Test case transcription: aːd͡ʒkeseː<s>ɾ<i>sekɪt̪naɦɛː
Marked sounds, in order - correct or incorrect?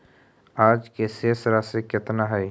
correct, incorrect: a

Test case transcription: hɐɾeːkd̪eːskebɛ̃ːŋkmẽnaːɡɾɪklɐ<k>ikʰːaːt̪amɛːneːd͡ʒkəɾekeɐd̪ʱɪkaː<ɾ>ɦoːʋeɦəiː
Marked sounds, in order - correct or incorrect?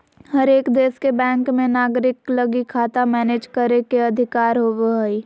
incorrect: ɡ, correct

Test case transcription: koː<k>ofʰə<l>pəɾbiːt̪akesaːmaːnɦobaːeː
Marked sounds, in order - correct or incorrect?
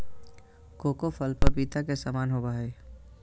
correct, correct

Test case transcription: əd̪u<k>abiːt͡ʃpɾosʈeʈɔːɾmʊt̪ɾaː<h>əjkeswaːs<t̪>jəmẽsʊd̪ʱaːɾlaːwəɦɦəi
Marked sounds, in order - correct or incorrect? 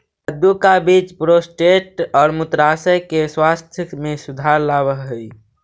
correct, incorrect: s, incorrect: t̪ʰ

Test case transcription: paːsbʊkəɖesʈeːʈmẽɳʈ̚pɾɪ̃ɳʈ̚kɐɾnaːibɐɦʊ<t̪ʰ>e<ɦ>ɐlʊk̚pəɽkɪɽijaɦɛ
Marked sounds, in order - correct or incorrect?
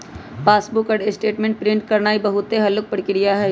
incorrect: t̪, correct

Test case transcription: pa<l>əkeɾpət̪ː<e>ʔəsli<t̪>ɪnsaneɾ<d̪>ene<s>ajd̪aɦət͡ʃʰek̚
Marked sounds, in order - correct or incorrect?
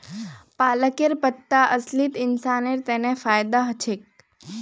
correct, incorrect: a, correct, incorrect: t̪, incorrect: f

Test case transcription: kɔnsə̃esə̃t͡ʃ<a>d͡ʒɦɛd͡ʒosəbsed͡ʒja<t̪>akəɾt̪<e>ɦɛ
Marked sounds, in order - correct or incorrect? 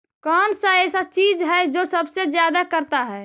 incorrect: i, incorrect: d̪, incorrect: a

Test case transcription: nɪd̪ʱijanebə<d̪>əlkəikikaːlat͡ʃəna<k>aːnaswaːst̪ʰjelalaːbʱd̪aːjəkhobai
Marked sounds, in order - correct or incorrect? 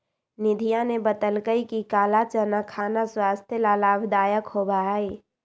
incorrect: t̪, incorrect: kʰ

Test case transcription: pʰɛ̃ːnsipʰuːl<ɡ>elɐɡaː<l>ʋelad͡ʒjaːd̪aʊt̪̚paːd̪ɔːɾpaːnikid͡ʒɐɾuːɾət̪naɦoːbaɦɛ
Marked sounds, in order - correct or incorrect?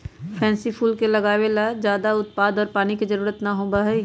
incorrect: k, incorrect: none

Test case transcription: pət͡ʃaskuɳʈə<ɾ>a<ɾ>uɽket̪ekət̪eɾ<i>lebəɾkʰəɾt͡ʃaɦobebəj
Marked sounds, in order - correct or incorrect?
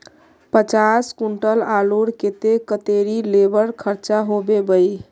incorrect: l, incorrect: l, correct

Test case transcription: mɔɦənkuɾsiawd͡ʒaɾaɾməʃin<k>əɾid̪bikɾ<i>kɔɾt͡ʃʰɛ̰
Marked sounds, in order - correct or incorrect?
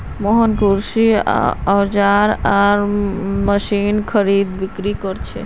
incorrect: kʰ, correct

